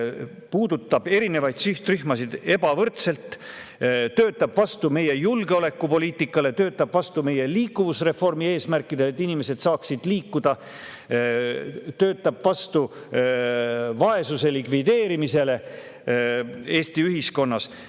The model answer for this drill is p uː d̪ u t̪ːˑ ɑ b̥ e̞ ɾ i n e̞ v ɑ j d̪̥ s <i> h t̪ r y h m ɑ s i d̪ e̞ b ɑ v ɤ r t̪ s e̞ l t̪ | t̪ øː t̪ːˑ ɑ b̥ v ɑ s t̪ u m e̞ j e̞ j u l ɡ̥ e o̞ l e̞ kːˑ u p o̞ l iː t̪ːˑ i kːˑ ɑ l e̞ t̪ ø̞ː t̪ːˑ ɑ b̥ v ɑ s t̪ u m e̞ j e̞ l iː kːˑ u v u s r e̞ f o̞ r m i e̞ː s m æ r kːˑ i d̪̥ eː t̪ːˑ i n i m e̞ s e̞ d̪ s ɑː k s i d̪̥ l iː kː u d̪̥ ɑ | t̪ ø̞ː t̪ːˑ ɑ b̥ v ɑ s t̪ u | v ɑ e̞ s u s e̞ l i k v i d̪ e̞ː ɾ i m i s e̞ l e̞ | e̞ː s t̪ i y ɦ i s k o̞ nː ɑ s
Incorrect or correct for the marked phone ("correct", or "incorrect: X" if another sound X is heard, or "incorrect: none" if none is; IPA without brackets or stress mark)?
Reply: incorrect: y